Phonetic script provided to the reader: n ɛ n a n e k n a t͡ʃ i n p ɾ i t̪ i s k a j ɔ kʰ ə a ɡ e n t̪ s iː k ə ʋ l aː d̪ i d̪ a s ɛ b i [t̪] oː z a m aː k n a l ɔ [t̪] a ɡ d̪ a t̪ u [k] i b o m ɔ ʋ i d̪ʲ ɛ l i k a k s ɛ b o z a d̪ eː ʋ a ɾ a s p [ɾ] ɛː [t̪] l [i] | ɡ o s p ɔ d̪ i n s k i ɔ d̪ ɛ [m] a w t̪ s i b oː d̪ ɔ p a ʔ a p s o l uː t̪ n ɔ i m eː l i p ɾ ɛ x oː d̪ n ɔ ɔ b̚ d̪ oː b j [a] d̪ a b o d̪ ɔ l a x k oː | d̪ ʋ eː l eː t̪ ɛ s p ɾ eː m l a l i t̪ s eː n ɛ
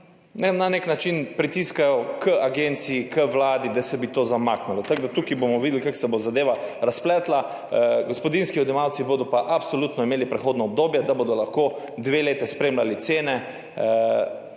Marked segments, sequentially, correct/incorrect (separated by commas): correct, correct, correct, incorrect, correct, incorrect, correct, incorrect